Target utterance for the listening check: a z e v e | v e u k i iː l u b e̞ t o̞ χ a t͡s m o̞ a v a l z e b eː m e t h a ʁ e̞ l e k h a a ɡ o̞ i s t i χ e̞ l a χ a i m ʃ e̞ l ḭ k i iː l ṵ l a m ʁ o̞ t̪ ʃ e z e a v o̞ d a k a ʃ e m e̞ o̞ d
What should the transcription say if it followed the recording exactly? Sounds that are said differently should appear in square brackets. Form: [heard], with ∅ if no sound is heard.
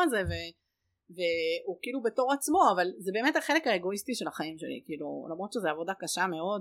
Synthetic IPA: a z e v e | v e u k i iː l u b e̞ t o̞ [ʁ] a t͡s m o̞ a v a l z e b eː m e t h a [χ] e̞ l e k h a [e] ɡ o̞ i s t i [ʃ] e̞ l a χ a i m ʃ e̞ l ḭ k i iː l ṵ l a m ʁ o̞ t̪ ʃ e z e a v o̞ d a k a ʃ [a] m e̞ o̞ d